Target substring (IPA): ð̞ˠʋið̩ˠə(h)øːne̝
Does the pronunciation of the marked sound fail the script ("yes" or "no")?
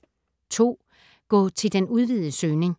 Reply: yes